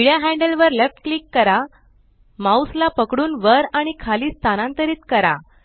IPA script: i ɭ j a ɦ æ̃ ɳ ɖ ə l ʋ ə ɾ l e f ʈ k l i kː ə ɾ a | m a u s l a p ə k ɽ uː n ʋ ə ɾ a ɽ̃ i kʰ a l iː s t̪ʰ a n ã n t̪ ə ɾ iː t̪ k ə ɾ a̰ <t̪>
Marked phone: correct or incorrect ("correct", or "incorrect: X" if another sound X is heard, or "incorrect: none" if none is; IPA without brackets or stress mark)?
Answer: incorrect: none